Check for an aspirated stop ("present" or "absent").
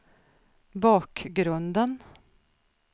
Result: absent